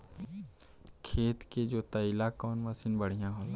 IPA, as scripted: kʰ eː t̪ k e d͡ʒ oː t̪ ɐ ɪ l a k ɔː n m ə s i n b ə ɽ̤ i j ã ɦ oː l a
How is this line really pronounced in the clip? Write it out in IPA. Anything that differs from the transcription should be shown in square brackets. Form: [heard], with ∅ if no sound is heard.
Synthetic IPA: kʰ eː t̪ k e d͡ʒ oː t̪ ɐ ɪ l a k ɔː n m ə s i n b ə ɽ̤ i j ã ɦ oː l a